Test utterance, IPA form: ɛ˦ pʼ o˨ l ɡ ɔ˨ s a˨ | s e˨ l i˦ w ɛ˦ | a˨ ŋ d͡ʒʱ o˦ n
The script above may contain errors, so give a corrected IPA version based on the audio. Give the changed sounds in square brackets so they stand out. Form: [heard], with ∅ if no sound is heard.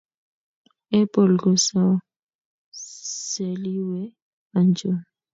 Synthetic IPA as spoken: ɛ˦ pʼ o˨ l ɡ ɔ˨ s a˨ | s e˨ l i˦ w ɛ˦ | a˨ [n] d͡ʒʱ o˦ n